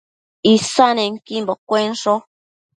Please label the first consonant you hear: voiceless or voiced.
voiceless